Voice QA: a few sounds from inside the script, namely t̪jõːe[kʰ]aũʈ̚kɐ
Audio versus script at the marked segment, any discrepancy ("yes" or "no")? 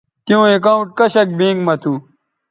yes